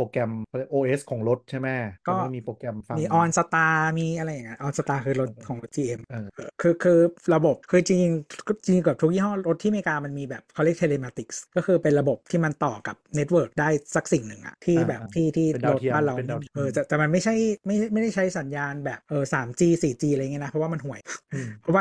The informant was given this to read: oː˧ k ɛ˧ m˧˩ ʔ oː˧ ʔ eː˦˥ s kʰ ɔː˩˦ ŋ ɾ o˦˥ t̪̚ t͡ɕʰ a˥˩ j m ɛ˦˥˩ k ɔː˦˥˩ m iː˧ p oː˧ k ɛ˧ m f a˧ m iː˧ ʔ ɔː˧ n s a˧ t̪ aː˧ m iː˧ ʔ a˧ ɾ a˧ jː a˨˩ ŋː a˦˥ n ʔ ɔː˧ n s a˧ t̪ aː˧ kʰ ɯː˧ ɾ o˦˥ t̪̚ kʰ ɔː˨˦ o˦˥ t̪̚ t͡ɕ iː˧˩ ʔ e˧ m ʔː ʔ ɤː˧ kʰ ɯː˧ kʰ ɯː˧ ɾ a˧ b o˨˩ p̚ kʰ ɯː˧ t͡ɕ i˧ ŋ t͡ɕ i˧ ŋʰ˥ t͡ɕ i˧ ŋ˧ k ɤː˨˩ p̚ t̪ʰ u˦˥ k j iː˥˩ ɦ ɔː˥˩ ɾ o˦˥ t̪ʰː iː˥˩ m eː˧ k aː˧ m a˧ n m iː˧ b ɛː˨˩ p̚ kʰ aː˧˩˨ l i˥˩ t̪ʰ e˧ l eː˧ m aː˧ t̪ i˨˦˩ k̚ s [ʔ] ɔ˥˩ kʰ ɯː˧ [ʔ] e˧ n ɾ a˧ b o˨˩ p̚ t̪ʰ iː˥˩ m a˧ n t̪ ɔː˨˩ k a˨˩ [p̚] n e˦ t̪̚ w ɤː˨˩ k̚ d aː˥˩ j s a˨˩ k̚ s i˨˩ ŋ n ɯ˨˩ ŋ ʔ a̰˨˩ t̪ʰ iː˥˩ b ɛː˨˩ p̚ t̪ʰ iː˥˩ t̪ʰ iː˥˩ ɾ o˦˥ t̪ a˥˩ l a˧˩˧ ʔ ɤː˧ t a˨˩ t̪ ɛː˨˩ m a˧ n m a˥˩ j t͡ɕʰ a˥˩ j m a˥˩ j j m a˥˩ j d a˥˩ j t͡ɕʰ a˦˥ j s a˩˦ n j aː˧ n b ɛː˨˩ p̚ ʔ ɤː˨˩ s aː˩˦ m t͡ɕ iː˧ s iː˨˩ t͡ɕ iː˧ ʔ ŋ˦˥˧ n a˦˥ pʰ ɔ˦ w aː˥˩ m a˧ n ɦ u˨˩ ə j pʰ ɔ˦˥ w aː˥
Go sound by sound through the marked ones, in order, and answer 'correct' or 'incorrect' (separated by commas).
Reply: incorrect, incorrect, correct